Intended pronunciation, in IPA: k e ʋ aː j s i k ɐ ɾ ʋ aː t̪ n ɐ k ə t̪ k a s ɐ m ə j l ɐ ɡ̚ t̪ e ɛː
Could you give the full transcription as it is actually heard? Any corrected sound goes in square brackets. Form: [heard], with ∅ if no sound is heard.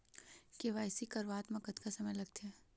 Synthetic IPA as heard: k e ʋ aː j s i k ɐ ɾ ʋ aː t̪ [m] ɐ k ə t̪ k a s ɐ m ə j l ɐ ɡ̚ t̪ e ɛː